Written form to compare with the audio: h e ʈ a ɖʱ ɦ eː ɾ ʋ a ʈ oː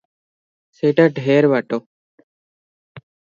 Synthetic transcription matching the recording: s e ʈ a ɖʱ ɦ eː ɾ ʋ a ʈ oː